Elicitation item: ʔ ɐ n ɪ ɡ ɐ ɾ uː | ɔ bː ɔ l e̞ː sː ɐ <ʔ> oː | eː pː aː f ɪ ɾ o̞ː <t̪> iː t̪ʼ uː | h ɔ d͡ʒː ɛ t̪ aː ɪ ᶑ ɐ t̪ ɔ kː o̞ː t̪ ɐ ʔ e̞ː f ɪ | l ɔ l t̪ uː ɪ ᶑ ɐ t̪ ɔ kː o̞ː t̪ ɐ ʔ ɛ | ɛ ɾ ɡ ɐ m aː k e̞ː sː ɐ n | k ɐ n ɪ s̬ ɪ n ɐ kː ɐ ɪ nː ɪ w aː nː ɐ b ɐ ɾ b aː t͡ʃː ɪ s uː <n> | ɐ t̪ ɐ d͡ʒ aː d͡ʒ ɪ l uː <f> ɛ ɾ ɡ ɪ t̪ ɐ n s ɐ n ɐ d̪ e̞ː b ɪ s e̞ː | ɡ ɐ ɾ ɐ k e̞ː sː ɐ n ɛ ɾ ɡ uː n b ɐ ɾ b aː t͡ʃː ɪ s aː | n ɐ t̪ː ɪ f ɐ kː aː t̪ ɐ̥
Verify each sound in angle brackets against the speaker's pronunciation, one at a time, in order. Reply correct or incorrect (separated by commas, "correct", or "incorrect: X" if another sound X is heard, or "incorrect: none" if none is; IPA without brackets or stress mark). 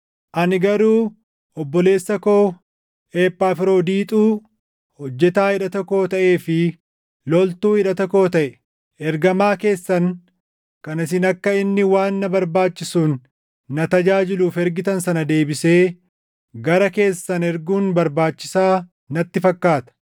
incorrect: k, incorrect: d̪, incorrect: nː, correct